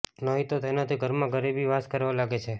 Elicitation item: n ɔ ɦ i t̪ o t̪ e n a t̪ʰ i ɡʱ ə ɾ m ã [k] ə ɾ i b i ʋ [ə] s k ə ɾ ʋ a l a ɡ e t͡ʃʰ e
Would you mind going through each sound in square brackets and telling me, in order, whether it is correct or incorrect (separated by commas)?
incorrect, incorrect